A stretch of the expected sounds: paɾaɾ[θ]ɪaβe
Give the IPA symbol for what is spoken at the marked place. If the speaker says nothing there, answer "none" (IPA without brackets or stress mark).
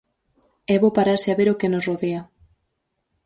s